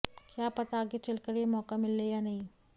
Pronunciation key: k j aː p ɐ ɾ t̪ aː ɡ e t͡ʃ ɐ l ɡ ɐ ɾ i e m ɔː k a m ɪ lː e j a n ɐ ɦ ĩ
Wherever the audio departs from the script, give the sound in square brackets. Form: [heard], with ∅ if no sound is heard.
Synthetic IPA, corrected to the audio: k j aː p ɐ [∅] t̪ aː ɡ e t͡ʃ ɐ l [k] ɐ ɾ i e m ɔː k a m ɪ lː e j a n ɐ ɦ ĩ